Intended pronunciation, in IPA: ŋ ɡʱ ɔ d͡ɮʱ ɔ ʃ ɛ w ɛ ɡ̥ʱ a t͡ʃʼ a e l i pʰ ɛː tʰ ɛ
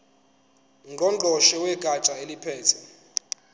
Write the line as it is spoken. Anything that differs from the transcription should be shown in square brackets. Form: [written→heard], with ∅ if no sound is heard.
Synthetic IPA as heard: ŋ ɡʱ ɔ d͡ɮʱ ɔ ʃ ɛ w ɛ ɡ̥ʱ a t͡ʃʼ a e l i pʰ ɛː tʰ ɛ